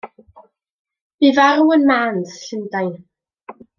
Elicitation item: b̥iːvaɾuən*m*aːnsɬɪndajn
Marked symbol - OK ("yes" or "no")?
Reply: yes